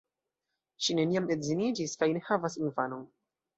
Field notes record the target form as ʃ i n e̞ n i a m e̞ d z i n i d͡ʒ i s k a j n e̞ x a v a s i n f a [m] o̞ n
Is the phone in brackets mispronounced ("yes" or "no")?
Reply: yes